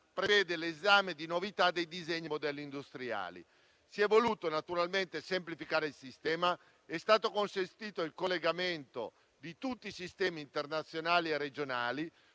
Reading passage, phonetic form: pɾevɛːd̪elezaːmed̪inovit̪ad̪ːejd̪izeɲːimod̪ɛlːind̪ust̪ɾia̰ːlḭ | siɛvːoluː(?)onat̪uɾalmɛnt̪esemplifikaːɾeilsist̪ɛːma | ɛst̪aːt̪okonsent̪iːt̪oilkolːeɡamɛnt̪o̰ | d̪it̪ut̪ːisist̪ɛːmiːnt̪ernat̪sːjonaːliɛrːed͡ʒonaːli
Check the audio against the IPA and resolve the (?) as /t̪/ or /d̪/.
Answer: t̪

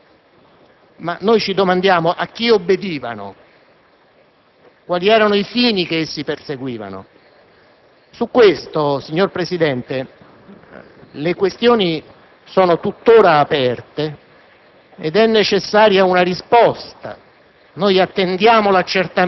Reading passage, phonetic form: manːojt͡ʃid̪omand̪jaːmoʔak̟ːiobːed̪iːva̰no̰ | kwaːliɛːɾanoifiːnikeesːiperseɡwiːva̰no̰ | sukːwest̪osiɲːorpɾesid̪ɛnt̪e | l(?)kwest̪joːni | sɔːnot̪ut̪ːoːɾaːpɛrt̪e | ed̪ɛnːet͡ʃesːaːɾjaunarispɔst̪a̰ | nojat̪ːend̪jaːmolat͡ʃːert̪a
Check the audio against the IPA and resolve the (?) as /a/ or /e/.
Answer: e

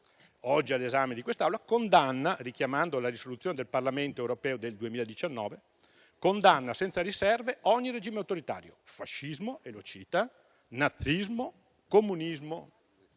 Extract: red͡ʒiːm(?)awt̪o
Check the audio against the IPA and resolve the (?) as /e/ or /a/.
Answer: e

